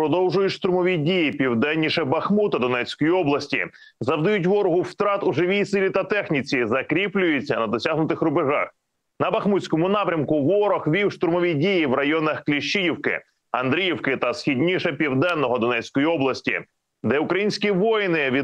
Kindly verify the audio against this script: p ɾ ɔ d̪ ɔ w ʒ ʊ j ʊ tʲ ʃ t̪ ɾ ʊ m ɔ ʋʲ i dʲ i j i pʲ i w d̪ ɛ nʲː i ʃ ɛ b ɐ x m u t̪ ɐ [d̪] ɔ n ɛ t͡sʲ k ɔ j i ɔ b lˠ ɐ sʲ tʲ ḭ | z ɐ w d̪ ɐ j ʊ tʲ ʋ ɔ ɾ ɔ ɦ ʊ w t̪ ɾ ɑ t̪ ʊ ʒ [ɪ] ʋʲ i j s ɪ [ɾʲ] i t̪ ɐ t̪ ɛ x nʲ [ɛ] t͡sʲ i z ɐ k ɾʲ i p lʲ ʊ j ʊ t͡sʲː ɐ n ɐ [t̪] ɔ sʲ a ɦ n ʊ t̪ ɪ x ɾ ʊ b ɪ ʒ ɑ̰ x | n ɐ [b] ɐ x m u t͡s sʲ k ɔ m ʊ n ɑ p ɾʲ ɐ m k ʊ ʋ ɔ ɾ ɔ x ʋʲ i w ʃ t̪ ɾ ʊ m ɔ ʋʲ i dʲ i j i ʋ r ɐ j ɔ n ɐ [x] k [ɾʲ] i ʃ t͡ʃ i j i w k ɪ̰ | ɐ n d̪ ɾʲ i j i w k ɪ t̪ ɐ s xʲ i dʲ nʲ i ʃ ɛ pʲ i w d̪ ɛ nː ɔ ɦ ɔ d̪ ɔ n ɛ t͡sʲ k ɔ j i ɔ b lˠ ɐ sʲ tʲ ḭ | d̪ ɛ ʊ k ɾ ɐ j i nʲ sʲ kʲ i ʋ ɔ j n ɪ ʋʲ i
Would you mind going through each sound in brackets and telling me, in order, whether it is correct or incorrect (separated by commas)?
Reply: correct, correct, incorrect, incorrect, incorrect, correct, correct, incorrect